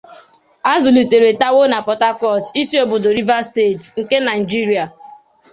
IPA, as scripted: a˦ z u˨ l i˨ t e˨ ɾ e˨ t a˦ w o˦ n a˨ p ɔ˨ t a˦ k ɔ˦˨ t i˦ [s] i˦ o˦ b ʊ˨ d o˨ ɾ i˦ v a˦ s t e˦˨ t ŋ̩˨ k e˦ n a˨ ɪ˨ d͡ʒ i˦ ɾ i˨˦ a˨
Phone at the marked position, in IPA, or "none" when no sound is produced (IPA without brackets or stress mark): s